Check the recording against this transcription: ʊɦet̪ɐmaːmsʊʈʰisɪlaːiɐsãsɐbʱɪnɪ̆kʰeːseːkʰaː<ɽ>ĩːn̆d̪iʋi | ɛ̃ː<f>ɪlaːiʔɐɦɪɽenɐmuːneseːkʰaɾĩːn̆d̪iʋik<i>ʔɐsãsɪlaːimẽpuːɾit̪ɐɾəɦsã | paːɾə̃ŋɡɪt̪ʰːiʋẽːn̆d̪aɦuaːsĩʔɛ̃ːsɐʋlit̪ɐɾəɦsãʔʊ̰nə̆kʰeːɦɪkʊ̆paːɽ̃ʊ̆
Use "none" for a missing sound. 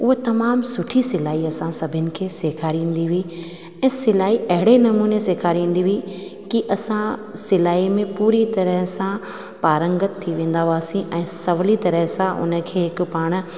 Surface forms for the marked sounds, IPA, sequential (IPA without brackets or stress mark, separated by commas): ɾ, s, i